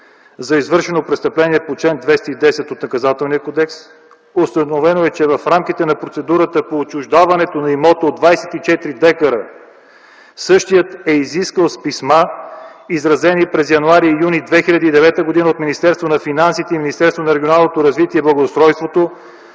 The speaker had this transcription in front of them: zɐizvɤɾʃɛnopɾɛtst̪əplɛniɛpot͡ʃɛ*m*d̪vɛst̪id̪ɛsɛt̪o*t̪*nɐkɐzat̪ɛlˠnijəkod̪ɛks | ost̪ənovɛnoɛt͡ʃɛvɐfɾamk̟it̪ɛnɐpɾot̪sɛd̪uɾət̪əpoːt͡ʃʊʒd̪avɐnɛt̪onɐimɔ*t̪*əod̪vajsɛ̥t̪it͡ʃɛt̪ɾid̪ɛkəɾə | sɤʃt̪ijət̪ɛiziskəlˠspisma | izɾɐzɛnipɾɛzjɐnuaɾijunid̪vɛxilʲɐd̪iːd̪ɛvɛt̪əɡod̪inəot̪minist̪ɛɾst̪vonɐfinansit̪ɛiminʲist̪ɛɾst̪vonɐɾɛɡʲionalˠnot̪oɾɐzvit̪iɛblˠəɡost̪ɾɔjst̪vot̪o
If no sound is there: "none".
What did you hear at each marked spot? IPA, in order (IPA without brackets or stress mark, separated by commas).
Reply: n, t̪, t̪